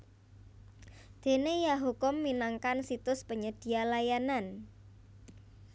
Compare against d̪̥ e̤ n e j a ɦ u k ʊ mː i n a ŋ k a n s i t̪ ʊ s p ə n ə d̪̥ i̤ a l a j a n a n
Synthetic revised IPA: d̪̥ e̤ n e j a ɦ u k ʊ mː i n a ŋ k a n s i t̪ ʊ s p ə ɲ ə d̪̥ i̤ a l a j a n a n